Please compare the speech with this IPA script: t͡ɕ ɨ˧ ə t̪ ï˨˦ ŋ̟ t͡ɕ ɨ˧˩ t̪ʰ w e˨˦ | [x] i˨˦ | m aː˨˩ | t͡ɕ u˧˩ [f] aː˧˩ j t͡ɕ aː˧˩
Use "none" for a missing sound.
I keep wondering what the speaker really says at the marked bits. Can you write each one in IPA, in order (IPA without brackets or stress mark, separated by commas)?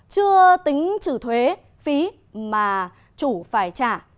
f, f